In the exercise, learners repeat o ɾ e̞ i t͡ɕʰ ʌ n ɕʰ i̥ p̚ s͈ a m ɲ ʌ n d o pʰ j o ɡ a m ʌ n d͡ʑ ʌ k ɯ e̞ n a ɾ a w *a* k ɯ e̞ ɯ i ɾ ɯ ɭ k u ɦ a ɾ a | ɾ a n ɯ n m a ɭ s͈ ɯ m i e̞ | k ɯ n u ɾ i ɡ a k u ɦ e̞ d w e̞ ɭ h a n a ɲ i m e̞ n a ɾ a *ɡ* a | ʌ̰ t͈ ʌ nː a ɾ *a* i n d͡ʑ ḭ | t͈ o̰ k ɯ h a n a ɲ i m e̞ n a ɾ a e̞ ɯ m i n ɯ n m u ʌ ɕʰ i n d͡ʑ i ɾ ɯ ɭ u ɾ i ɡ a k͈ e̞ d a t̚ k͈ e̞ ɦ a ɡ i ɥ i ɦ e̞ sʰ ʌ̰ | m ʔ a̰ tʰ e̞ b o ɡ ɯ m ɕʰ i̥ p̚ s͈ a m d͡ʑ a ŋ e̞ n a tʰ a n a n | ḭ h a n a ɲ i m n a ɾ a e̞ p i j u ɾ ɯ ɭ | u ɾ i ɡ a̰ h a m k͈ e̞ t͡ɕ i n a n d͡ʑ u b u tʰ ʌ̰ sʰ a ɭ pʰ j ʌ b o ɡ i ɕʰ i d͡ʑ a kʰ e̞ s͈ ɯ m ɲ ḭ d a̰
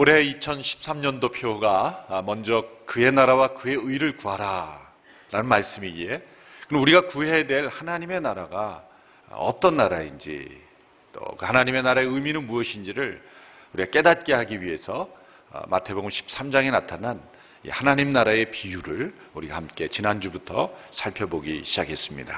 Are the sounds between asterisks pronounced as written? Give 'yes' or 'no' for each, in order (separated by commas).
yes, yes, yes